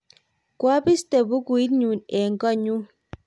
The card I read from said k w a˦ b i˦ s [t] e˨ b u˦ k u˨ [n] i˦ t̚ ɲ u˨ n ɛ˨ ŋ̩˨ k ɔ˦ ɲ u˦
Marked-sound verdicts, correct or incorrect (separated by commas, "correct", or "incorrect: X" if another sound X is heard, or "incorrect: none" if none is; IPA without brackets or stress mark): correct, incorrect: none